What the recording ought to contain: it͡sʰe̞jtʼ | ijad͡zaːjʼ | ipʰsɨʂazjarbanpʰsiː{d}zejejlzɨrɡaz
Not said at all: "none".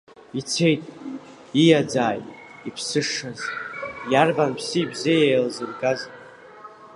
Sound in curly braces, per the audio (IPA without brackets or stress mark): b